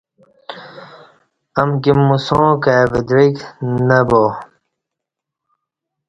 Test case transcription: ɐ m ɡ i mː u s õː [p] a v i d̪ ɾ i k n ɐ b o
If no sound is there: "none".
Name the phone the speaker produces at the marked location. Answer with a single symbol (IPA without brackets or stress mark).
k